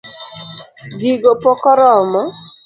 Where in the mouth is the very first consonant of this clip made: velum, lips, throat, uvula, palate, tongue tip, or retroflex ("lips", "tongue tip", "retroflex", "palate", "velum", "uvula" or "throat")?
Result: velum